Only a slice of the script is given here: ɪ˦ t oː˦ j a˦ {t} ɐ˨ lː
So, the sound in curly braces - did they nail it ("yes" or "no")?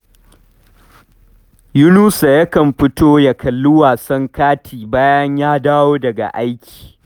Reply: no